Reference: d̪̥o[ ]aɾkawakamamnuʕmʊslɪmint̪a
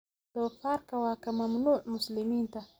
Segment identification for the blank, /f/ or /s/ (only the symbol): f